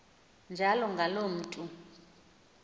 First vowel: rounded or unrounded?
unrounded